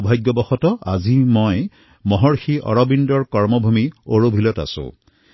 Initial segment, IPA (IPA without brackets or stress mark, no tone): bʱ